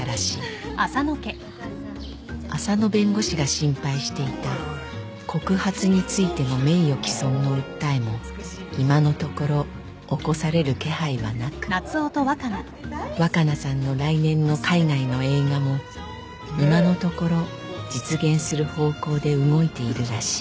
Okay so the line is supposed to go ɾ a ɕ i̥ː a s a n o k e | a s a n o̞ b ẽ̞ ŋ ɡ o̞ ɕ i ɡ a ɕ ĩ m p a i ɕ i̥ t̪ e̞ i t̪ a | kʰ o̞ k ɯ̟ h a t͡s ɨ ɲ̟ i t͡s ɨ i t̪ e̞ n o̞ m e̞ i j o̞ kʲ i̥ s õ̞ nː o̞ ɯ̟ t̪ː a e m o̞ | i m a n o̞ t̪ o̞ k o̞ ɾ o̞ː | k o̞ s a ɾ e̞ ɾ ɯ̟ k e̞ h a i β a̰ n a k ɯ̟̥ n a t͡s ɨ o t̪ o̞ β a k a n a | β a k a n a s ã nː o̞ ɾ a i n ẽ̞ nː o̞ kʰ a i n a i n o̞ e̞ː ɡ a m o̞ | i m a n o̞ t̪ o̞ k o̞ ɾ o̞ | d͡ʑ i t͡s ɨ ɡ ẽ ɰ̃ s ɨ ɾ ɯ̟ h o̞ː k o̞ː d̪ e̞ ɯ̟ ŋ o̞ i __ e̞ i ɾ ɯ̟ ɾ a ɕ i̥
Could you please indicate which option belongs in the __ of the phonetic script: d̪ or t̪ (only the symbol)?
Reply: t̪